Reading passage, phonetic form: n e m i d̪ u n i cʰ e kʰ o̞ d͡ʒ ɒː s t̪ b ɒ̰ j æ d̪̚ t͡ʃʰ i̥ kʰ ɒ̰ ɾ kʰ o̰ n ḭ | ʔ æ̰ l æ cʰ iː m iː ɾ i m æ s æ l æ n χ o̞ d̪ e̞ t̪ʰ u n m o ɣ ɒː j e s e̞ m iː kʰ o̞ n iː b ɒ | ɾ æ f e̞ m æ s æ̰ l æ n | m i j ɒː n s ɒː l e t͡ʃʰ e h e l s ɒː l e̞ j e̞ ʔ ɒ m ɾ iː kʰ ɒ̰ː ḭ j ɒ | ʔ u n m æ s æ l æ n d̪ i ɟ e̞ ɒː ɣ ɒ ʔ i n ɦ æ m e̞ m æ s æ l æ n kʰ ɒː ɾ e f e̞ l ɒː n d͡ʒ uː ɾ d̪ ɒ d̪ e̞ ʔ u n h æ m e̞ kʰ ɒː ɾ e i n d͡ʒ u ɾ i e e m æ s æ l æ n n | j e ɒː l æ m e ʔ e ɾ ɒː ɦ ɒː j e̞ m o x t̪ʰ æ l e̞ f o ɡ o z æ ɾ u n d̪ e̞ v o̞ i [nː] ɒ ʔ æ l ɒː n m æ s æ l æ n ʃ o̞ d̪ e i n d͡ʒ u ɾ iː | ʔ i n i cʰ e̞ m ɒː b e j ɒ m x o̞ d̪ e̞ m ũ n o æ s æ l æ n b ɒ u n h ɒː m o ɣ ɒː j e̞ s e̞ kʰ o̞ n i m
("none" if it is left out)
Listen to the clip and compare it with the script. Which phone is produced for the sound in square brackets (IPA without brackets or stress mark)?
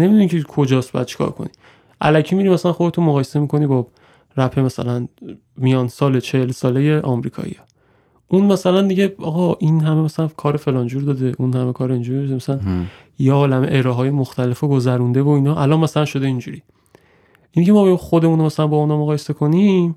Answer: n